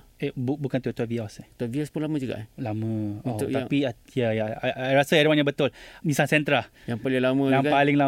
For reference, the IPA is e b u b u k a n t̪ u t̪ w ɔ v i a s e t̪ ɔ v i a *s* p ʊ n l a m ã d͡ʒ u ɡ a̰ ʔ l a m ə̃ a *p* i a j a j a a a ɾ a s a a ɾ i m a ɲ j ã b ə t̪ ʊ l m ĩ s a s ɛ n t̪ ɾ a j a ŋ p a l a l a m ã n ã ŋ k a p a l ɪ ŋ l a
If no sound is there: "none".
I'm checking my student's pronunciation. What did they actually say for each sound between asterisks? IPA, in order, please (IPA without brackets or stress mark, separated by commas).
s, p